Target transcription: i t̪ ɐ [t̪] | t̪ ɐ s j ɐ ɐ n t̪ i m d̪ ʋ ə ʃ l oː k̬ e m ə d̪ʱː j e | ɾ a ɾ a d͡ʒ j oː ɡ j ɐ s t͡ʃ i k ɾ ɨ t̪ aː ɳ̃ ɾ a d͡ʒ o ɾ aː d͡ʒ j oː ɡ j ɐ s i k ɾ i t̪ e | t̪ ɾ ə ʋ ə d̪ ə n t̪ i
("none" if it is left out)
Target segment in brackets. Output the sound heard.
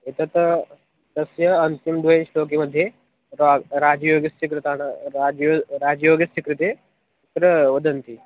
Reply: t̪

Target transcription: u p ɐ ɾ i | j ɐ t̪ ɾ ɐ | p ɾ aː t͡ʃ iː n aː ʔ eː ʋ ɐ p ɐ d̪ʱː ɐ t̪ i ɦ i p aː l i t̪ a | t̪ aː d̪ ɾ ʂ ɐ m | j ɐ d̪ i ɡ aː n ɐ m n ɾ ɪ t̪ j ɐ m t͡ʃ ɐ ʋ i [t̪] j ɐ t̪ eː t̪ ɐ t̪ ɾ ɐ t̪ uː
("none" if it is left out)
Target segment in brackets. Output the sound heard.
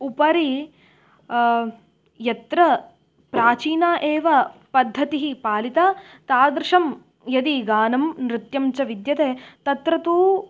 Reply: d̪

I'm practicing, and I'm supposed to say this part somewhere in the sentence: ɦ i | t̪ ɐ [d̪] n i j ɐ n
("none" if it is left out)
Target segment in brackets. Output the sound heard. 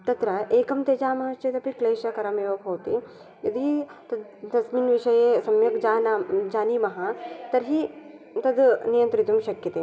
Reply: d̪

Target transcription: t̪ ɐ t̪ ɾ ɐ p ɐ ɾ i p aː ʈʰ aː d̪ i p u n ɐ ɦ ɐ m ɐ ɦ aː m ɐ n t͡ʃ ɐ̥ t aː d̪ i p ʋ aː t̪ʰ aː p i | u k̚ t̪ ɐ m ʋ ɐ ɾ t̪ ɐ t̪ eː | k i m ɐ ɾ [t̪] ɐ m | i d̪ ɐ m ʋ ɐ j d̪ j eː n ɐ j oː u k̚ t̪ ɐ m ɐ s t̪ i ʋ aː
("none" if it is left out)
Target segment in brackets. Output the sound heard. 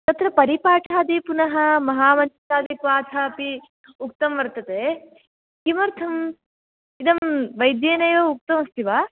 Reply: t̪ʰ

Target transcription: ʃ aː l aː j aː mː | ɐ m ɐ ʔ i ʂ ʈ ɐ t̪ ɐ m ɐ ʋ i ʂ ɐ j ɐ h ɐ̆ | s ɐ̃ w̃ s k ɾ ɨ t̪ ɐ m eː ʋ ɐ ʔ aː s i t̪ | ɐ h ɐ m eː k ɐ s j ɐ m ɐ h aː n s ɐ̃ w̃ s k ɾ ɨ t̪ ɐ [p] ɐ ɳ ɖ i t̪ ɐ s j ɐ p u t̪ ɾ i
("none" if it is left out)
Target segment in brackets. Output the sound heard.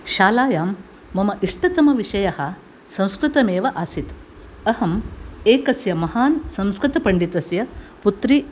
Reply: p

